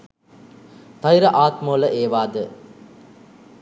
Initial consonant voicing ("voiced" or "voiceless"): voiceless